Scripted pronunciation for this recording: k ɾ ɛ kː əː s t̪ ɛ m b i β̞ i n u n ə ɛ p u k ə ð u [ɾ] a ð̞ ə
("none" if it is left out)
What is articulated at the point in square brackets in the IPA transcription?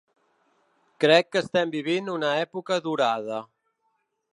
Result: ɾ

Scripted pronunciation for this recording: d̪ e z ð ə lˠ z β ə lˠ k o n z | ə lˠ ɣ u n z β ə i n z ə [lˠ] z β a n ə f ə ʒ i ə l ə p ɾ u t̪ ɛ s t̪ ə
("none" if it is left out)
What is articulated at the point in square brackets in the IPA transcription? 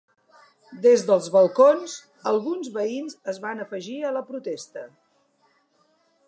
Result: none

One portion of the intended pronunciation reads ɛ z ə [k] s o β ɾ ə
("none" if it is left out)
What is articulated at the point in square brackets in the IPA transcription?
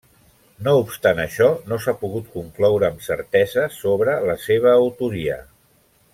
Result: none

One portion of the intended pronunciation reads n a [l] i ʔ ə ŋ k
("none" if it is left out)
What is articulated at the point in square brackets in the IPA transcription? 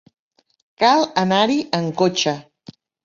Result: ɾ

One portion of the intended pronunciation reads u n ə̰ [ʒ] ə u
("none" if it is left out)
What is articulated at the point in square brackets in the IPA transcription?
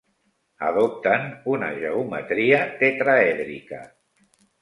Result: ʒ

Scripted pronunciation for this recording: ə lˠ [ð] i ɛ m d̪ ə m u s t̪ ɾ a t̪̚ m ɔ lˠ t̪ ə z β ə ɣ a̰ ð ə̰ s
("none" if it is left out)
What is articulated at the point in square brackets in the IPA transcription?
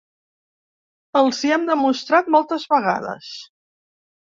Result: z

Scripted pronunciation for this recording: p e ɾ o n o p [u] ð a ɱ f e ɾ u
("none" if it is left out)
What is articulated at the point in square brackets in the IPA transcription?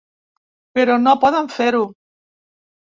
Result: ɔ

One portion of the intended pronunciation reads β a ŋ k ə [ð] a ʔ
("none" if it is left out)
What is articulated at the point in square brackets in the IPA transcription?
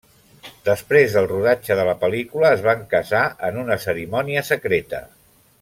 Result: z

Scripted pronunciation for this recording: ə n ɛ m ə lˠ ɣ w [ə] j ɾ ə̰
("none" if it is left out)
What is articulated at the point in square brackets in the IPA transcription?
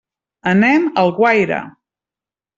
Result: a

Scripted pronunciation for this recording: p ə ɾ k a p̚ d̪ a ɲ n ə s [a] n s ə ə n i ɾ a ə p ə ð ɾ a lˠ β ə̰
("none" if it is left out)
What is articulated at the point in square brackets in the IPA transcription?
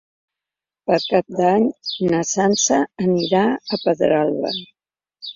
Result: a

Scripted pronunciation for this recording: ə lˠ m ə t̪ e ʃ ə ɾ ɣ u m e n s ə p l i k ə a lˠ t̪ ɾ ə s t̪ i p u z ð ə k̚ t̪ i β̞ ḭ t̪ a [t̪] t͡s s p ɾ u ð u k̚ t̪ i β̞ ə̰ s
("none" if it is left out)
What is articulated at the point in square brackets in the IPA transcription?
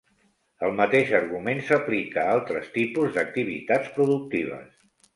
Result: none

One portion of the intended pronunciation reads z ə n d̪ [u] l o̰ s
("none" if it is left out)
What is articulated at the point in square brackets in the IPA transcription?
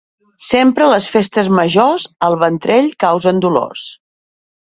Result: u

